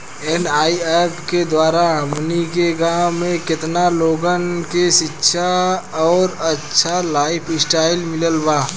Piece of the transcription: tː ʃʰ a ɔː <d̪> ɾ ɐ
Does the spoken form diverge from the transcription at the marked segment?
yes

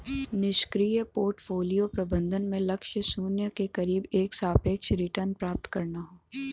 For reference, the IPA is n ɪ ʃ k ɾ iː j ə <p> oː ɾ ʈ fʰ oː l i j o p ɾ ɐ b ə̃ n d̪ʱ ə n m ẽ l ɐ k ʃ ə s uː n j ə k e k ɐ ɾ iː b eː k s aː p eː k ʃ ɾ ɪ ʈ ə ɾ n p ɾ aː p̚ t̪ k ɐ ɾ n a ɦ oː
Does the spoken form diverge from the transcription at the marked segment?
no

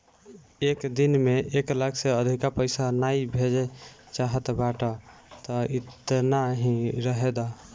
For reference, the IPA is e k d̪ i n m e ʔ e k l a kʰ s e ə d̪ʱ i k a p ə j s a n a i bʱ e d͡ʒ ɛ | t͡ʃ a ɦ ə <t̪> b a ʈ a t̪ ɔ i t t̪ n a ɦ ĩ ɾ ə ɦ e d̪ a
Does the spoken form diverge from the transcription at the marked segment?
no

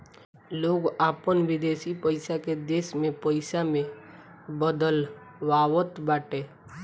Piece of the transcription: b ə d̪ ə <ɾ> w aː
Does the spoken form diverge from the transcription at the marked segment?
yes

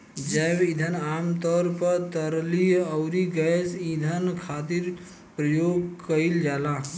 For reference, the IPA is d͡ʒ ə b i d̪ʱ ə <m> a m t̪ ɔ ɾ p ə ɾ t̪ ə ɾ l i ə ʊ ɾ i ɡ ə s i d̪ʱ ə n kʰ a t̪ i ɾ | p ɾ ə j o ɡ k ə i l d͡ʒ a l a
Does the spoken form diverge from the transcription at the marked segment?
yes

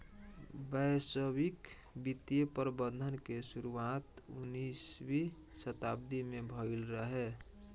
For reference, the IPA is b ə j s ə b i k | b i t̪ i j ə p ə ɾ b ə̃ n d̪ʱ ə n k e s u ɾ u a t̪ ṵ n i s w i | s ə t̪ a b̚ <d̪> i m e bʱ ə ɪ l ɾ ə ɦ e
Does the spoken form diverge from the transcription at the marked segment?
no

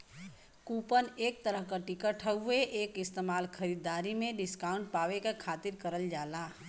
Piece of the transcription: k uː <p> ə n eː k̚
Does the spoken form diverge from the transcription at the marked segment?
no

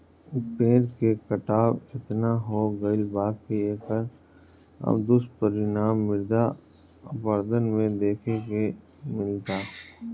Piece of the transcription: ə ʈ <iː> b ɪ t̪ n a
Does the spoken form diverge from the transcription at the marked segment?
yes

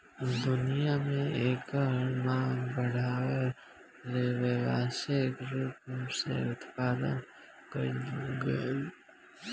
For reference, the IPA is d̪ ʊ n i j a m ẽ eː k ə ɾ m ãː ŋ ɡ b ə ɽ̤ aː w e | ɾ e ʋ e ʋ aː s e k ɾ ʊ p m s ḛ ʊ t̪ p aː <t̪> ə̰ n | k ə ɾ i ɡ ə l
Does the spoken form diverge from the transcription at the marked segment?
yes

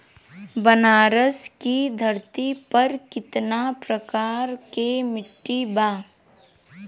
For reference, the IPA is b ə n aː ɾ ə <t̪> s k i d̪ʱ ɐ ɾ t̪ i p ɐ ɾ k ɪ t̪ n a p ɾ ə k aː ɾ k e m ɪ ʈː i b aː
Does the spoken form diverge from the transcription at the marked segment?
yes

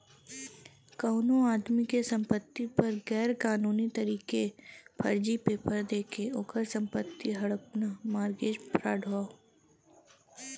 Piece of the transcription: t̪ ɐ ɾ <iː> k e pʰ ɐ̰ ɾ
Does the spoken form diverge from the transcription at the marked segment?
no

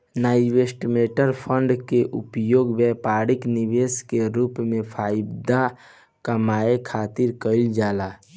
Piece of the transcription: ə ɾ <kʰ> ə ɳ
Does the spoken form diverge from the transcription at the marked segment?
yes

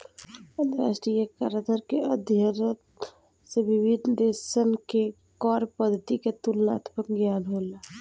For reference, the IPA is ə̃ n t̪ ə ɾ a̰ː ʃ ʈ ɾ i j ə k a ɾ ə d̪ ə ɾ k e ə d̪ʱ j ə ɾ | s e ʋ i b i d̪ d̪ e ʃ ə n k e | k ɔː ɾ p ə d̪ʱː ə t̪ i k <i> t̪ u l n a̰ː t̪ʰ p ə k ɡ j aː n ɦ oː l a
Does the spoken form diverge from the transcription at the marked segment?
yes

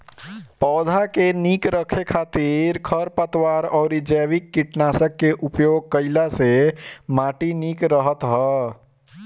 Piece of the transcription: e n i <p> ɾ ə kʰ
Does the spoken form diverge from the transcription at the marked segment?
yes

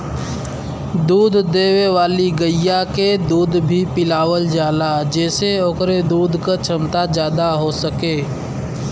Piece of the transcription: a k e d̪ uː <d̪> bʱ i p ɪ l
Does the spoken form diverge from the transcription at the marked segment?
no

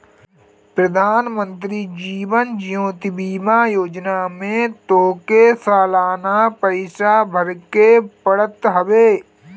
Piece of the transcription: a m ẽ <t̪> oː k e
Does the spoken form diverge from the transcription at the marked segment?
no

